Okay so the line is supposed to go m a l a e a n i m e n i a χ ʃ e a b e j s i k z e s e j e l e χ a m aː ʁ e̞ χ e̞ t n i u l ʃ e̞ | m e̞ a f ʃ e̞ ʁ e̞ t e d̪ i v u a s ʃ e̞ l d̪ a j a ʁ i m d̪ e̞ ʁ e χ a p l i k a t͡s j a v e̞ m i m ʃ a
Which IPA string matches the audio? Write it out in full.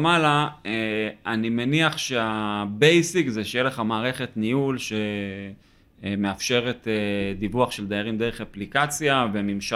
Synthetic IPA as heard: m a l a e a n i m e n i a χ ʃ e a b e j s i k z e ʃ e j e l e χ a m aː ʁ e̞ χ e̞ t n i u l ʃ e̞ | m e̞ a f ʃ e̞ ʁ e̞ t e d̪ i v u a χ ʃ e̞ l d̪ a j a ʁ i m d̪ e̞ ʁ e χ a p l i k a t͡s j a v e̞ m i m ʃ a